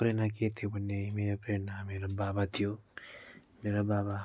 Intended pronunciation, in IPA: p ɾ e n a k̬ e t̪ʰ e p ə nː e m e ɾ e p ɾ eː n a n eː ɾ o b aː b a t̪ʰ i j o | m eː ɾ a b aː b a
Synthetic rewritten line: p ɾ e n a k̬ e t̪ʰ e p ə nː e m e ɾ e p ɾ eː n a m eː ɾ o b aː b a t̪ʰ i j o | m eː ɾ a b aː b a